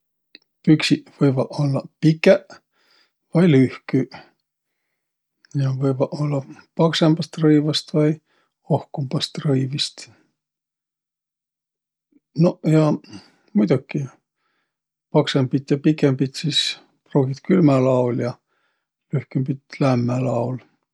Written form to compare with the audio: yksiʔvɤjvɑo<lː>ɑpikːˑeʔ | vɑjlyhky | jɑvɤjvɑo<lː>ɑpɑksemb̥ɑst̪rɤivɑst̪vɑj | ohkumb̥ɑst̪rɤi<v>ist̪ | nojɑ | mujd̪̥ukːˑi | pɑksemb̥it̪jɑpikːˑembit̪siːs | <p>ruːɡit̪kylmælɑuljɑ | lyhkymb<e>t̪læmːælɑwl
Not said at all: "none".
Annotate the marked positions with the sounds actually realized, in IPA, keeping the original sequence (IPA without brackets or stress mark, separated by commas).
lː, lː, v, p, i